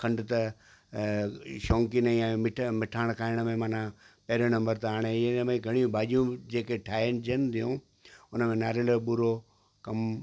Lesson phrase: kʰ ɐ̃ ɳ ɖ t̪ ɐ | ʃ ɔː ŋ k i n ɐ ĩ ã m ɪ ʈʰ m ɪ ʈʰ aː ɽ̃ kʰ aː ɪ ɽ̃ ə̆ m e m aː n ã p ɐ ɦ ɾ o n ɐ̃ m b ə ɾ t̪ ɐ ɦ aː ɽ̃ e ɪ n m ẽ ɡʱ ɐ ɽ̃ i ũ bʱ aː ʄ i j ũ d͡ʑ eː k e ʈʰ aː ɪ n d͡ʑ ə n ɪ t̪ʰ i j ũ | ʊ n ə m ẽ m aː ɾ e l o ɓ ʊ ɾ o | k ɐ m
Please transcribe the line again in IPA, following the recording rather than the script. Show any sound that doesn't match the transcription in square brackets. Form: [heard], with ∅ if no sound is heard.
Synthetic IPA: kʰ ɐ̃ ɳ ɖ t̪ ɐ | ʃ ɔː ŋ k i n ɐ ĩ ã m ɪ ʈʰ m ɪ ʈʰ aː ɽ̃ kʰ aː ɪ ɽ̃ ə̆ m [ẽ] m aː n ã p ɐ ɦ ɾ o n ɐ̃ m b ə ɾ t̪ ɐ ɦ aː ɽ̃ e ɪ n m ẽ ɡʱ ɐ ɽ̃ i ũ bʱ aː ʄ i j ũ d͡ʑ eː k e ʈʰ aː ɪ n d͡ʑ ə n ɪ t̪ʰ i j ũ | ʊ n ə m ẽ [n] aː ɾ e l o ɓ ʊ ɾ o | k ɐ m